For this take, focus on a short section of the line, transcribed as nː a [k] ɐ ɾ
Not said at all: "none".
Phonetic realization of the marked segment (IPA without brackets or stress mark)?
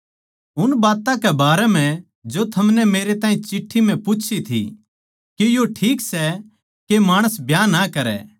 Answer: k